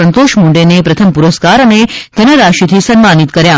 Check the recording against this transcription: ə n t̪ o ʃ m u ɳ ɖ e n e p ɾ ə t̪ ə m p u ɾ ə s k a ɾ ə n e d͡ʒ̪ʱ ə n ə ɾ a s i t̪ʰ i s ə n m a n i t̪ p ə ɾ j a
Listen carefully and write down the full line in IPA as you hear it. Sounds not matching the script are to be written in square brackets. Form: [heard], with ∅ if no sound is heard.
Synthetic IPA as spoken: ə n t̪ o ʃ m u ɳ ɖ e n e p ɾ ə [t̪ʰ] ə m p u ɾ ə s k a ɾ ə n e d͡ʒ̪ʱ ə n ə ɾ a [ʃ] i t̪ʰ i s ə n m a n i t̪ [k] ə ɾ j a